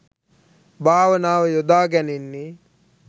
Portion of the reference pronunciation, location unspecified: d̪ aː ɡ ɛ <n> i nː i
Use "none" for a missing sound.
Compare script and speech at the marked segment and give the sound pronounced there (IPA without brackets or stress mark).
n